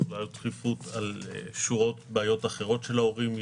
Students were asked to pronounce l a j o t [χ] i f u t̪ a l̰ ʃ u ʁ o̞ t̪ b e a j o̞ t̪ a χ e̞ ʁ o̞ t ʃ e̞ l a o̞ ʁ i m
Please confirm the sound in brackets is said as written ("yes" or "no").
yes